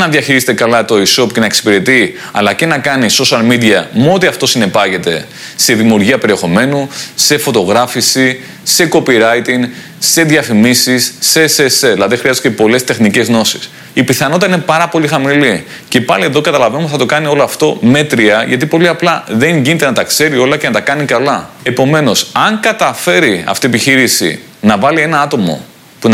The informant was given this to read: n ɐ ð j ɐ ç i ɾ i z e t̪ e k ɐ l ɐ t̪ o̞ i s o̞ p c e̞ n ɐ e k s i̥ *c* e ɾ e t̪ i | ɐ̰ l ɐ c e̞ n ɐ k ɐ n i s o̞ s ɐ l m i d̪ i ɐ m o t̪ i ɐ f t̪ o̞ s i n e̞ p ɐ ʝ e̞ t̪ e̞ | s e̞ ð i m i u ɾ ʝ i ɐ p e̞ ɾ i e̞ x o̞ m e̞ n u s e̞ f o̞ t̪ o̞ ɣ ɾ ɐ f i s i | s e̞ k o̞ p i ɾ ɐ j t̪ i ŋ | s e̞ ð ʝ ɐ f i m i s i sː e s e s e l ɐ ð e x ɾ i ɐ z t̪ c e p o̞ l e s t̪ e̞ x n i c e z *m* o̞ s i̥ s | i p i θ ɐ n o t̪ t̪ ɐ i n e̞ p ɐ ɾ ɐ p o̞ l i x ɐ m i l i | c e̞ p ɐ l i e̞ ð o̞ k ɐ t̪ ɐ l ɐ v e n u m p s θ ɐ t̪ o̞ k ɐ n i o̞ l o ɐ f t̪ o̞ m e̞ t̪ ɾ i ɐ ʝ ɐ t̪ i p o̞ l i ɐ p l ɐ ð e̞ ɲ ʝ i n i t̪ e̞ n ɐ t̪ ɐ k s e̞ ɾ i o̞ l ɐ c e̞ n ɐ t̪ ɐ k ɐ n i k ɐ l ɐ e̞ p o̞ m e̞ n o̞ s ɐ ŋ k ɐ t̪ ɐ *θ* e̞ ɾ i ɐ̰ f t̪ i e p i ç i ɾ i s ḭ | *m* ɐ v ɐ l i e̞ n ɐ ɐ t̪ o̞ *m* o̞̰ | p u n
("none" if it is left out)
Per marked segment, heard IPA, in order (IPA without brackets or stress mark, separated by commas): p, n, f, n, m